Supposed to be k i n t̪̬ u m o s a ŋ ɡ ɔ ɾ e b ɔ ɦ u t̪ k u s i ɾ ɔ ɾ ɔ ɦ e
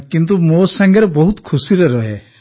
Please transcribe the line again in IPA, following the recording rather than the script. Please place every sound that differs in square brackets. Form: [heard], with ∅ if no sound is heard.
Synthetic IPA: k i n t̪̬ u m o s a ŋ ɡ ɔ ɾ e b ɔ ɦ u t̪ [kʰ] u s i ɾ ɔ ɾ ɔ ɦ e